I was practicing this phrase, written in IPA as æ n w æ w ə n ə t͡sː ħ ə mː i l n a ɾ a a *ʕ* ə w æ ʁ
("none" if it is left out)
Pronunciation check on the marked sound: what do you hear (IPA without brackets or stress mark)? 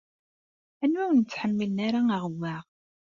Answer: ʁ